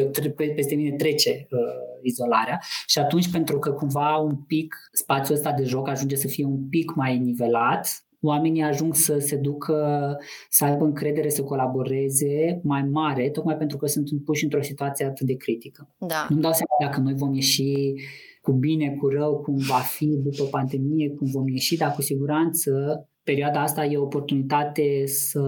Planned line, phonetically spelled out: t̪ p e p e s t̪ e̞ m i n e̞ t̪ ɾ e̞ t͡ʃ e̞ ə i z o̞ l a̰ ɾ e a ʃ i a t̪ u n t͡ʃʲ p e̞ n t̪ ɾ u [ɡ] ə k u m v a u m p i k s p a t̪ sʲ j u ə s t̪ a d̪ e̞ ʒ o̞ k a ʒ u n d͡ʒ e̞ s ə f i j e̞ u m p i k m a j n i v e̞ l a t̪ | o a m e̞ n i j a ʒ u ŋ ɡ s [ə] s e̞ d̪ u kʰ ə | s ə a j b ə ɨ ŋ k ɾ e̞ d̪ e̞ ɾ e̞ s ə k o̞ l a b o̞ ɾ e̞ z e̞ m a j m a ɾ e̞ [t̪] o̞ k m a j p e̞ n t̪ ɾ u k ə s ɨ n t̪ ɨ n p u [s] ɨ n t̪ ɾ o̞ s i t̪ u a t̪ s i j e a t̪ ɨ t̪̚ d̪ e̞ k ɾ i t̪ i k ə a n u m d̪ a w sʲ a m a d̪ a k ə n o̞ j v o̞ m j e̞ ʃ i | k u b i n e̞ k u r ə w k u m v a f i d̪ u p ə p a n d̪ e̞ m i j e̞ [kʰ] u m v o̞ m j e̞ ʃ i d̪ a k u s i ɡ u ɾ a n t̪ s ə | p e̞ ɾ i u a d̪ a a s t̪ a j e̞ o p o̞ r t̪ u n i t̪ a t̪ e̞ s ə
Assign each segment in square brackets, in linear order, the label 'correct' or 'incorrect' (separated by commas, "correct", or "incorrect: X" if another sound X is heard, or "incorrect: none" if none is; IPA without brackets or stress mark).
incorrect: k, correct, correct, incorrect: ʃ, incorrect: k